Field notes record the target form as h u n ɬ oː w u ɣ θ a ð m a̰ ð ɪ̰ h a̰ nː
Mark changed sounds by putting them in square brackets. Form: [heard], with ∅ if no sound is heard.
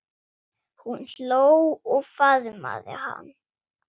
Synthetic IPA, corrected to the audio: h u n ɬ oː w [ɔ] ɣ [f] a ð m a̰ ð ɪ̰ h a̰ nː